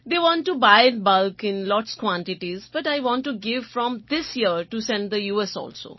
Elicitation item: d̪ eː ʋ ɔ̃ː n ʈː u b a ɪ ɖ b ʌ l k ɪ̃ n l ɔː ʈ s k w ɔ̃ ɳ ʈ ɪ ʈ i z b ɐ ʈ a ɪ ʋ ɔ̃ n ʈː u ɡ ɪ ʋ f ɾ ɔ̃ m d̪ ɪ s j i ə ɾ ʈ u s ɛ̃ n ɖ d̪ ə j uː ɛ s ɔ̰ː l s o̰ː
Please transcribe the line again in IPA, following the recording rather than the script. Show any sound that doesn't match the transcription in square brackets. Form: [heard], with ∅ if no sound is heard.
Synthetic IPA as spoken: d̪ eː ʋ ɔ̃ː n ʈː u b a ɪ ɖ b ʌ l k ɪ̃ n l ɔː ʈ s k w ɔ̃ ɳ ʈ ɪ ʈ i z b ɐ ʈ a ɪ ʋ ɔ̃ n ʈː u ɡ ɪ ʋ f ɾ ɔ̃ m d̪ ɪ s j i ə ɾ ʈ u s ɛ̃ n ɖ d̪ ə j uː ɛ s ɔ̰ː l s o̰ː